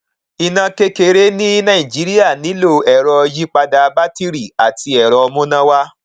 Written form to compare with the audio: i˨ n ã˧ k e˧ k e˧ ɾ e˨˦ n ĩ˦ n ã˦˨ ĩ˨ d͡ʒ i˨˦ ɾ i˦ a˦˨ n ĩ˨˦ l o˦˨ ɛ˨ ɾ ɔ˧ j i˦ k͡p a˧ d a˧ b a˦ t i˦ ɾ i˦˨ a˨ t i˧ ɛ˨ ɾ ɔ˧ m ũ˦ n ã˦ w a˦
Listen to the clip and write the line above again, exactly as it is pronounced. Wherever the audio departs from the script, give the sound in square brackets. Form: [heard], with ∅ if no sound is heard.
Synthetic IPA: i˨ n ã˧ k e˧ k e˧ ɾ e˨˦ n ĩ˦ n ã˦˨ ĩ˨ d͡ʒ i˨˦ ɾ i˦ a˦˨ n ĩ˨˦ l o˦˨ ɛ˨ ɾ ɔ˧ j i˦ k͡p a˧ d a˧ b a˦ t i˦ ɾ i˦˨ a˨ t i˧ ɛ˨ ɾ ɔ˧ m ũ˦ n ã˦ w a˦